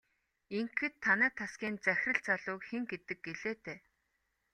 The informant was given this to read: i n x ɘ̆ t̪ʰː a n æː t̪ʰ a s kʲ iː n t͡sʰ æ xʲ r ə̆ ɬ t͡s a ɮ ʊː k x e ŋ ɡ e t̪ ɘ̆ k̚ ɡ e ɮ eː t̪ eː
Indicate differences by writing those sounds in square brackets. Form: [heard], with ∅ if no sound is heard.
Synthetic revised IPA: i [ŋ] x ɘ̆ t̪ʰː a n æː t̪ʰ a s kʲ iː n [t͡s] æ xʲ r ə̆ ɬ t͡s a ɮ ʊː k x e ŋ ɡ e t̪ ɘ̆ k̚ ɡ e ɮ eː t̪ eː